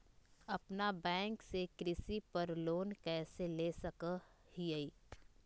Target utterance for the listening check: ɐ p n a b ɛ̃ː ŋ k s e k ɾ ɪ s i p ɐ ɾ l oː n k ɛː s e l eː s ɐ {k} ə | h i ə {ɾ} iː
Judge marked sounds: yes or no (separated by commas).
yes, no